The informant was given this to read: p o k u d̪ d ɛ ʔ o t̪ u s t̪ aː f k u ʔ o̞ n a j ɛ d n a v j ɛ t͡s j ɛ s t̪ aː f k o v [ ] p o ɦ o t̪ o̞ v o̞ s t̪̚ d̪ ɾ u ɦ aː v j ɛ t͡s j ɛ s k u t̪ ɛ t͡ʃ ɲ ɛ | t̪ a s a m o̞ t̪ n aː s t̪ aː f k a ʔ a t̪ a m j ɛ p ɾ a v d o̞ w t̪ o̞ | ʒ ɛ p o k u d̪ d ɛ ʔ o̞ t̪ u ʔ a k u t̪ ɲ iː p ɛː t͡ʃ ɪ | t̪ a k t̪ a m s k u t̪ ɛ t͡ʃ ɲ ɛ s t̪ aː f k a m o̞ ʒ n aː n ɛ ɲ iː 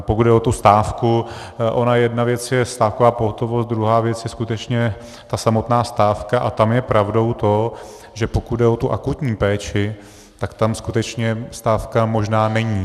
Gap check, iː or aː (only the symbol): aː